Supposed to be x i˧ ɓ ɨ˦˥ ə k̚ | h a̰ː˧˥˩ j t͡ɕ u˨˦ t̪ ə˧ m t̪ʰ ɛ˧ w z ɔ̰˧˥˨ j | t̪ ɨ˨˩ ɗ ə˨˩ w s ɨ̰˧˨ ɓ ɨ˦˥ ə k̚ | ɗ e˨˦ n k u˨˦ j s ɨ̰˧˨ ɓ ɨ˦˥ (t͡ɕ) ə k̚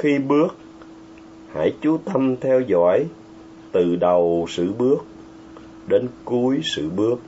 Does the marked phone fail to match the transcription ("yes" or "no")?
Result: yes